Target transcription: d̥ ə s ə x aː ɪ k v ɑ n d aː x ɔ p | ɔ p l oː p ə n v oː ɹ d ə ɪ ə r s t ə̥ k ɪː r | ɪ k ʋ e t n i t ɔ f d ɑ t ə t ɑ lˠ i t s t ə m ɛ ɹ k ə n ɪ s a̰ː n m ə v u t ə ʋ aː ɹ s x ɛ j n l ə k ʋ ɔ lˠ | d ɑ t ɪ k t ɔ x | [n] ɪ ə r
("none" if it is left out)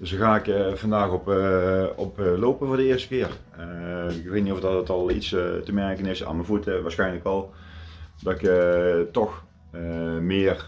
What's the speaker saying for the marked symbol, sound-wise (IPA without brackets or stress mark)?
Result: m